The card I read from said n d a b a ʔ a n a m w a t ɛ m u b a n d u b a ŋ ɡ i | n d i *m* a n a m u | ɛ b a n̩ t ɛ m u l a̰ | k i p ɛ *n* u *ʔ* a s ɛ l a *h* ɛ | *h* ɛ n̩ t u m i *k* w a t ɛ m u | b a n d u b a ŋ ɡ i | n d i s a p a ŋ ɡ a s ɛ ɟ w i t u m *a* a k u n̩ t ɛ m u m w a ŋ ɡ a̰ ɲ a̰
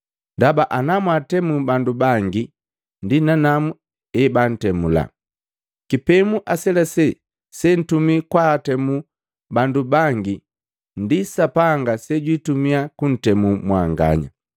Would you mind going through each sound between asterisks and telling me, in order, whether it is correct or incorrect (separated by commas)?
incorrect, incorrect, correct, incorrect, incorrect, correct, incorrect